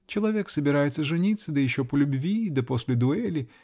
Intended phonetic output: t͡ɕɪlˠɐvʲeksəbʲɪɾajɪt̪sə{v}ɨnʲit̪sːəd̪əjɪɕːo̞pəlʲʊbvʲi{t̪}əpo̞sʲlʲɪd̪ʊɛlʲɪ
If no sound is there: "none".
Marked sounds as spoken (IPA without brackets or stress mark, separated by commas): ʐ, d̪